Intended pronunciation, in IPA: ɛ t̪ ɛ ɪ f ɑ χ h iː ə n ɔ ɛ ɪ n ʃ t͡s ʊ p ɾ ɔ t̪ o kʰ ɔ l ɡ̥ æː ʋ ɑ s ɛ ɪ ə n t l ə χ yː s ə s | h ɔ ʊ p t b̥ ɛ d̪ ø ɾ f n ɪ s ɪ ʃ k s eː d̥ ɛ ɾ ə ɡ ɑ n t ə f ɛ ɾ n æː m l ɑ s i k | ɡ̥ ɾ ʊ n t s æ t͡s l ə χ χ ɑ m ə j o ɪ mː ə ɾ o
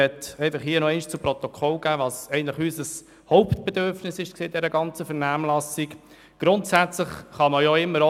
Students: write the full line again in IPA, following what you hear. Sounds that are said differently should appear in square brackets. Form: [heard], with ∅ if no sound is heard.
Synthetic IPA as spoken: ɛ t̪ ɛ ɪ f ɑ χ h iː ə n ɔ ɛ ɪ n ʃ t͡s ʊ p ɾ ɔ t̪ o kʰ ɔ l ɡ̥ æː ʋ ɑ s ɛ ɪ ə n t l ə χ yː s ə s | h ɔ ʊ p t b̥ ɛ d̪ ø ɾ f n ɪ s ɪ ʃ k s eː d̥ ɛ ɾ ə ɡ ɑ n [t͡s] ə f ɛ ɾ n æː m l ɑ s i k | ɡ̥ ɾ ʊ n t s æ t͡s l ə χ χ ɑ m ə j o ɪ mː ə ɾ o